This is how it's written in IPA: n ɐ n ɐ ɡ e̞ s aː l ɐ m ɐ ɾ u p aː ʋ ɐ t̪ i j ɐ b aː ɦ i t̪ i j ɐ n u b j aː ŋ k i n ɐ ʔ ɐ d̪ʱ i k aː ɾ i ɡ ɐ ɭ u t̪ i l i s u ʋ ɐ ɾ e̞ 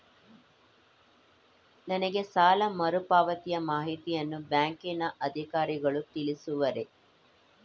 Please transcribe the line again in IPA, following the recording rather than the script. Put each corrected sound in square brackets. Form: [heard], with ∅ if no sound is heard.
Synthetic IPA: n ɐ n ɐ ɡ e̞ s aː l ɐ m ɐ ɾ u p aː ʋ ɐ t̪ i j ɐ [m] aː ɦ i t̪ i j ɐ [nː] u b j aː ŋ k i n ɐ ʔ ɐ d̪ʱ i k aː ɾ i ɡ ɐ ɭ u t̪ i l i s u ʋ ɐ ɾ e̞